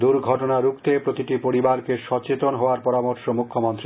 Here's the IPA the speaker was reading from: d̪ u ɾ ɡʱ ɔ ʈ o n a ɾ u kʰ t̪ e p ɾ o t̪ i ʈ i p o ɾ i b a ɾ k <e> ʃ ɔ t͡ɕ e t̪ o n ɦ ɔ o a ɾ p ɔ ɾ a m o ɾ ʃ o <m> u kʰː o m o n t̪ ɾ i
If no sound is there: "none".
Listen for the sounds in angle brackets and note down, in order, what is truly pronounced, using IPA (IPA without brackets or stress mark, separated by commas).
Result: e, m